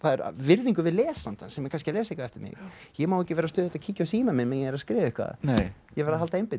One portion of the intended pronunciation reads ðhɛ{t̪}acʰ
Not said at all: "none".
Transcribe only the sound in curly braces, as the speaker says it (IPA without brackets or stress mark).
t̪